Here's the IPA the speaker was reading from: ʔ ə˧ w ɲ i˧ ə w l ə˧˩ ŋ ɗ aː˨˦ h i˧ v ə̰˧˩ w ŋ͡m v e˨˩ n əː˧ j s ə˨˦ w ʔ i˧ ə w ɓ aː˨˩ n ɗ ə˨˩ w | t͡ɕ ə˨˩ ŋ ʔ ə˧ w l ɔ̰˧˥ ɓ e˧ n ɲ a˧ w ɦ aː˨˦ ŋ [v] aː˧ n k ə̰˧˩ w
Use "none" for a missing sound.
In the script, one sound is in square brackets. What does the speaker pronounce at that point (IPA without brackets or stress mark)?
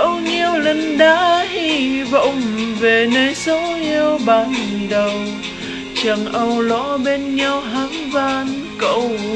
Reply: v